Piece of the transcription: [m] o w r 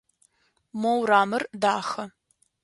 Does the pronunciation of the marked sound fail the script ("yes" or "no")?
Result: no